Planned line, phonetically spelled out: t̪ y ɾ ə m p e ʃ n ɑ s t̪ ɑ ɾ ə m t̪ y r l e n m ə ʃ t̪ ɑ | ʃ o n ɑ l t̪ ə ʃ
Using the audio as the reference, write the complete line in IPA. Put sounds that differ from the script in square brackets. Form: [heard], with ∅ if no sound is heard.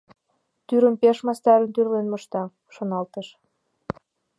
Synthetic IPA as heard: t̪ y ɾ ə m p e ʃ [m] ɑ s t̪ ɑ ɾ ə [n] t̪ y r l e n m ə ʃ t̪ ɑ | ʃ o n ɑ l t̪ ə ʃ

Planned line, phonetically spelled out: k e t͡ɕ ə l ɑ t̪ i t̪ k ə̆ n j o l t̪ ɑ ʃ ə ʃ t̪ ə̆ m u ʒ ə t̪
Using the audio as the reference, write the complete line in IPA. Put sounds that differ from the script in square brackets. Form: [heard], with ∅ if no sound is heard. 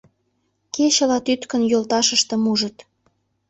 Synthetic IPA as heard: k e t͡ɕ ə l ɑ t̪ [y] t̪ k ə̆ n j o l t̪ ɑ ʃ ə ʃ t̪ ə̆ m u ʒ ə t̪

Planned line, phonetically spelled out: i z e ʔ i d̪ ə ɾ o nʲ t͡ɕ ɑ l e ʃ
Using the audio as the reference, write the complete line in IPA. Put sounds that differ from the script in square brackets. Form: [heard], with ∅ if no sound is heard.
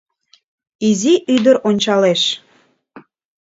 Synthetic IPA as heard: i z [i] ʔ [y] d̪ ə ɾ o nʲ t͡ɕ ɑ l e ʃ

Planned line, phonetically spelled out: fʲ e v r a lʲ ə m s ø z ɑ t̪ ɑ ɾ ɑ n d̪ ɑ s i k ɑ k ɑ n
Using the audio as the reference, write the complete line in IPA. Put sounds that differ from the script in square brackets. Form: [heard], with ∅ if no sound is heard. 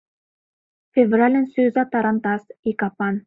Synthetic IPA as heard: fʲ e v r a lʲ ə [n] s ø z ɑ t̪ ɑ ɾ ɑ n [t̪] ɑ s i k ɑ [p] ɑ n

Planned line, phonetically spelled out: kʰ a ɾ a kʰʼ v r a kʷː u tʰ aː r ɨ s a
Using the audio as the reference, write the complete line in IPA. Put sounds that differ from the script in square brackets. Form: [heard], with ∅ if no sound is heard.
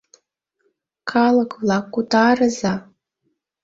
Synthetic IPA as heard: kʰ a [l] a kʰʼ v [l] a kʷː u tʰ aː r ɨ [z] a

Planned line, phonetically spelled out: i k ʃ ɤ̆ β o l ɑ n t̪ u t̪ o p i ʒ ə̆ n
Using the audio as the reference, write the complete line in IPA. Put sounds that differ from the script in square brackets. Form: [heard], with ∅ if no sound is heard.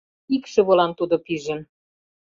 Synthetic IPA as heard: i k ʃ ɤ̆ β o l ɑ n t̪ u [d̪] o p i ʒ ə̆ n

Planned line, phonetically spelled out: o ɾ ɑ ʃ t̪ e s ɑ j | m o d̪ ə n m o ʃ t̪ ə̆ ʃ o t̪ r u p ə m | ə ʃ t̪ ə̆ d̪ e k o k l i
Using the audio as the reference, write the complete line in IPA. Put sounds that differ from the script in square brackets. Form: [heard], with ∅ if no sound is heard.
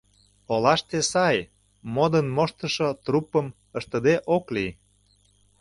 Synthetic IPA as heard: o [l] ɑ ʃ t̪ e s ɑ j | m o d̪ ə n m o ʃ t̪ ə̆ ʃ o t̪ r u p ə m | ə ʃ t̪ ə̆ d̪ e [ʔ] o k l i

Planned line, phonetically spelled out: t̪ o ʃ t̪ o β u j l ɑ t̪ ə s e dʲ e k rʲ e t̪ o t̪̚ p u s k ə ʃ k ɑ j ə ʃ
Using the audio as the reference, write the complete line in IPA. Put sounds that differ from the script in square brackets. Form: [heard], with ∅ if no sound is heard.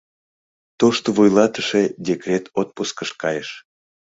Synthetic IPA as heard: t̪ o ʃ t̪ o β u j l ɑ t̪ ə [ʃ] e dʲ e k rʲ e t̪ o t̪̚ p u s k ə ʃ k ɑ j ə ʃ

